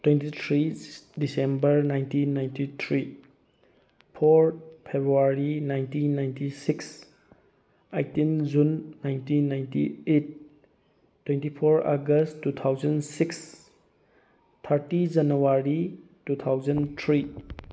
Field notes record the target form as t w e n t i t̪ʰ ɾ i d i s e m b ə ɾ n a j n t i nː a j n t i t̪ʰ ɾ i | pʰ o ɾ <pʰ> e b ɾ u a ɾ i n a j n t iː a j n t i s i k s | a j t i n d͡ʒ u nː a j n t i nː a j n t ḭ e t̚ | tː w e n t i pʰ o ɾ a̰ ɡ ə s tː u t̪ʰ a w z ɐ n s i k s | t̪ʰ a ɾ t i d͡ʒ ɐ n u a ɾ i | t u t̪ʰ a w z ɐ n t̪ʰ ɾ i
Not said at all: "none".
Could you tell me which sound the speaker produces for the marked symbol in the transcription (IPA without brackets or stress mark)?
pʰ